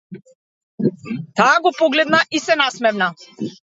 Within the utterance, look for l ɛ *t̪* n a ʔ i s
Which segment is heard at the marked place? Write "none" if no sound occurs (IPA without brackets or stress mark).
d̪